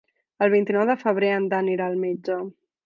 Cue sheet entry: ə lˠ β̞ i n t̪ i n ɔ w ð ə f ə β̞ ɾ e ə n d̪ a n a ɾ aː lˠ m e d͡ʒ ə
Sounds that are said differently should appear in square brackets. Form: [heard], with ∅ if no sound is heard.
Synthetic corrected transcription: ə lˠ β̞ i n t̪ i n ɔ w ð ə f ə β̞ ɾ e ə n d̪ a n [i] ɾ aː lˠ m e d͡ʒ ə